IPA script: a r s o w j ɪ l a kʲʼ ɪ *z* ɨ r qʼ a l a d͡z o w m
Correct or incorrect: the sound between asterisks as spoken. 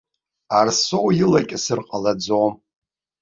incorrect: s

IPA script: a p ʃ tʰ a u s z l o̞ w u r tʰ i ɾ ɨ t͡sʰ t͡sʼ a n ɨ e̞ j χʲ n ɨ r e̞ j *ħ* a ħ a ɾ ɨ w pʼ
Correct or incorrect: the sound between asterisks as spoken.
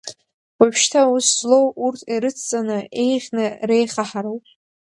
incorrect: χ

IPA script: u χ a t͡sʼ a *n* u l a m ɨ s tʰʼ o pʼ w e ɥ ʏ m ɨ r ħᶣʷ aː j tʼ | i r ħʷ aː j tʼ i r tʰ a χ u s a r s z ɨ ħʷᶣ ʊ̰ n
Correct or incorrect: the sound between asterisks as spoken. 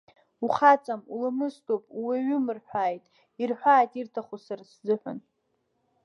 incorrect: m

